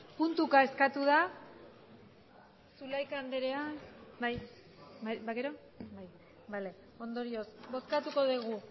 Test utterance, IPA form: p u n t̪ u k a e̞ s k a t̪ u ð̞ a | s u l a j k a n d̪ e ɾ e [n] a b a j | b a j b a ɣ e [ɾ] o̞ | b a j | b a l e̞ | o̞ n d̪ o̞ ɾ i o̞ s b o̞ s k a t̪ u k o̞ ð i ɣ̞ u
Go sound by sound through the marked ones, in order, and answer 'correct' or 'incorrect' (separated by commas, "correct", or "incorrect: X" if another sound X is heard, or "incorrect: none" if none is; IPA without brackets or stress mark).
incorrect: none, correct